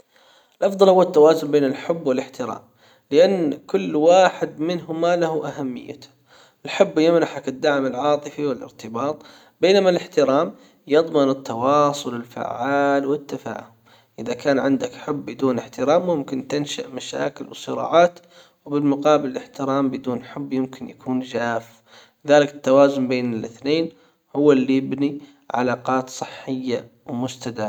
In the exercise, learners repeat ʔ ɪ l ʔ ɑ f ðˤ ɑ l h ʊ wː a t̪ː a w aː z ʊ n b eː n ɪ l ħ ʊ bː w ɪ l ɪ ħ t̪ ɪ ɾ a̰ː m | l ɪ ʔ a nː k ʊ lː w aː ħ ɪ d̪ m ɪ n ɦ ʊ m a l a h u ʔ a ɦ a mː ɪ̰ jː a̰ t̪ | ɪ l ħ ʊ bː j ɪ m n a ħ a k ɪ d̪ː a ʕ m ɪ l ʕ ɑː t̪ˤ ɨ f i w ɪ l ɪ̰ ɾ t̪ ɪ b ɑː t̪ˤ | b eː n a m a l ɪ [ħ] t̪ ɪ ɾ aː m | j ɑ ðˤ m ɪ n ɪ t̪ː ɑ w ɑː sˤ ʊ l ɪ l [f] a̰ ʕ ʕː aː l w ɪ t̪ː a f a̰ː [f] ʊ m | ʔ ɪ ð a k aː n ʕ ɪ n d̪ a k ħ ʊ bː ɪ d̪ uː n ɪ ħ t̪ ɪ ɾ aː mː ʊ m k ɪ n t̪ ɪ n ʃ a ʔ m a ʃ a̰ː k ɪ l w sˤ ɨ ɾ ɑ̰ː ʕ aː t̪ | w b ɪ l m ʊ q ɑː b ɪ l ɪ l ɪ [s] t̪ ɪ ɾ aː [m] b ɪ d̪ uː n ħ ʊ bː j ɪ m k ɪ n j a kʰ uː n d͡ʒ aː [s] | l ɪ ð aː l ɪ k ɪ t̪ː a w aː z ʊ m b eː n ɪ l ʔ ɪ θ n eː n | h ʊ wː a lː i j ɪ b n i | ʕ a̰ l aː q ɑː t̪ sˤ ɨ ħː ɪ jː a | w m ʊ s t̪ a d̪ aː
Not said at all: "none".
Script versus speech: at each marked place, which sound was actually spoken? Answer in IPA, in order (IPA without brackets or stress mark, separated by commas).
ħ, f, h, ħ, m, f